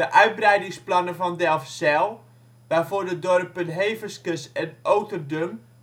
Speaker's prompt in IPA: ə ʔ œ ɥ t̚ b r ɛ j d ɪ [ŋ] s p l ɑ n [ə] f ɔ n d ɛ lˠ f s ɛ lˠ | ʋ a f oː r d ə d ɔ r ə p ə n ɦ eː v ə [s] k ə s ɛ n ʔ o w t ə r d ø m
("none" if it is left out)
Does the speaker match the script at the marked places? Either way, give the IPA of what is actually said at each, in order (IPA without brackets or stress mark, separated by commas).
ŋ, ə, s